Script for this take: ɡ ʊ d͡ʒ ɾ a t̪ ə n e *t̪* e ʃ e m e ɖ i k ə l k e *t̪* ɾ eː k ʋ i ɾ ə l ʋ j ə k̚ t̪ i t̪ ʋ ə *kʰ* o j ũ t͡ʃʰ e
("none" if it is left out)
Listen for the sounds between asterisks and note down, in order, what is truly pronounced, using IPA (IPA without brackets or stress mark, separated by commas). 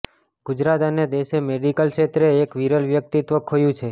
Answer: d̪, t̪, kʰ